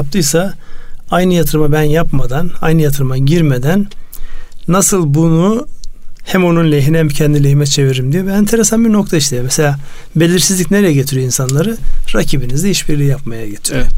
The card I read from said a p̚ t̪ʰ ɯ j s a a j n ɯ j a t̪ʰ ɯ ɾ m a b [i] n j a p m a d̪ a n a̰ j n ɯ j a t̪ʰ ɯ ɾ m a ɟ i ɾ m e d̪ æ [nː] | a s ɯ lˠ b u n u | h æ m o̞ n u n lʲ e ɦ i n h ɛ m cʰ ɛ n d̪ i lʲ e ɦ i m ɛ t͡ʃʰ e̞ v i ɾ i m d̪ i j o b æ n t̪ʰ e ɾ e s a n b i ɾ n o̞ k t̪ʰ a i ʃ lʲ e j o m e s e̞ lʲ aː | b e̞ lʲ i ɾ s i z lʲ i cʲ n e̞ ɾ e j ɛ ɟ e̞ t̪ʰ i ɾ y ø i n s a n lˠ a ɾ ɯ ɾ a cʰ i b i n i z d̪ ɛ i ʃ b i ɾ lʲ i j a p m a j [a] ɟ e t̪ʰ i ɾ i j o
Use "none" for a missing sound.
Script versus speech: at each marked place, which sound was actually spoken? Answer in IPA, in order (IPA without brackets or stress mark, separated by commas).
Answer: æ, nː, a